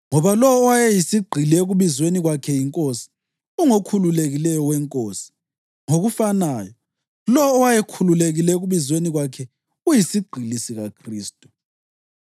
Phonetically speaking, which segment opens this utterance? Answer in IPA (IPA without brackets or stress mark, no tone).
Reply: ŋ